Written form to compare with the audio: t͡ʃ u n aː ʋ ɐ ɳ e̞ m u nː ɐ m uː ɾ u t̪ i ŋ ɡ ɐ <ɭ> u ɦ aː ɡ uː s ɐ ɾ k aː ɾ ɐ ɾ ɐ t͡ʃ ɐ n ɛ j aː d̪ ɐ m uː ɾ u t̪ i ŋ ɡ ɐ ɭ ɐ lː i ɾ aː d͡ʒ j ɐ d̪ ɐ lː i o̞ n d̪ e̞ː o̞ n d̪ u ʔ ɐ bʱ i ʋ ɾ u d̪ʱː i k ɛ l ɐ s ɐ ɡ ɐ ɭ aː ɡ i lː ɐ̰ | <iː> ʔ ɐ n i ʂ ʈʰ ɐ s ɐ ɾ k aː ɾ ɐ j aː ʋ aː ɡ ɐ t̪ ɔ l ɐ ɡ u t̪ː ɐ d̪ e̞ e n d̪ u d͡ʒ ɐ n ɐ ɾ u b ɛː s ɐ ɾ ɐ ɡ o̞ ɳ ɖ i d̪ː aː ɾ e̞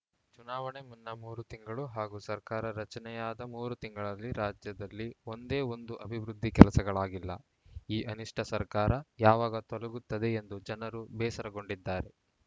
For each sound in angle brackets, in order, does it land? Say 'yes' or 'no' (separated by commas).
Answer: yes, yes